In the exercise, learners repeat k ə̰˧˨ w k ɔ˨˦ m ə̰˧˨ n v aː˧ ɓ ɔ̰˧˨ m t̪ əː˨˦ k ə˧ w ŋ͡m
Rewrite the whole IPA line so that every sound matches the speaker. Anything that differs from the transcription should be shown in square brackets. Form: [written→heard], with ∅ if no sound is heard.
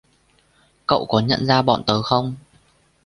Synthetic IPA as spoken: k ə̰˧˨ w k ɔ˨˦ [m→ɲ] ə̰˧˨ n [v→z] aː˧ ɓ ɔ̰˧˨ [m→n] t̪ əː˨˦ [k→x] ə˧ w ŋ͡m